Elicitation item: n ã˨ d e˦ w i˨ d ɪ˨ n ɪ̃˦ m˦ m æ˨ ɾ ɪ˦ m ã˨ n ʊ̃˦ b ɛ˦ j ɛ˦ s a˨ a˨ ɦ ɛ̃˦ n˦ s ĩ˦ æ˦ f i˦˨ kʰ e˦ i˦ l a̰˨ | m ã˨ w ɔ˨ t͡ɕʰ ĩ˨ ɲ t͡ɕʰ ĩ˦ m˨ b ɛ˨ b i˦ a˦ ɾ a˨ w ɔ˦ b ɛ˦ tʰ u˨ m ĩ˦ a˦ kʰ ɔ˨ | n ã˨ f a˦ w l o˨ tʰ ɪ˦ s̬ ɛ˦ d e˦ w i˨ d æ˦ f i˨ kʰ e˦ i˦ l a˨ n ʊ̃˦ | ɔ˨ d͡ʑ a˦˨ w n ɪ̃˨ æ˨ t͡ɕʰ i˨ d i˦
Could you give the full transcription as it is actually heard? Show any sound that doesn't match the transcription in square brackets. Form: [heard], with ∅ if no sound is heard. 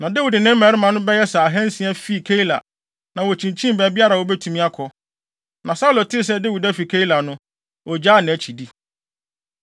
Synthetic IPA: n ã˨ d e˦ w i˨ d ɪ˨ n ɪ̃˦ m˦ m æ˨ ɾ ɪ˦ m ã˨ n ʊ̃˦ b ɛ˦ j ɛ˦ s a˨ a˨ ɦ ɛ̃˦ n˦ s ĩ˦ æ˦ f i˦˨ kʰ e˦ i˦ l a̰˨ | [n] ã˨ w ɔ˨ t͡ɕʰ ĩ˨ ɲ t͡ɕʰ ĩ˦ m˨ b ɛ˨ b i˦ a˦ ɾ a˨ w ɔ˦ b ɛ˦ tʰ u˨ m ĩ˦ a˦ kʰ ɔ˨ | n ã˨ [s] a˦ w l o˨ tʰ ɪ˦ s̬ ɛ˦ d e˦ w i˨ d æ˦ f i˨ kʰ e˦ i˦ l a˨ n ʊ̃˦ | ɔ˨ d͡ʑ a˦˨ [∅] n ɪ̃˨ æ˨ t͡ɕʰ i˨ d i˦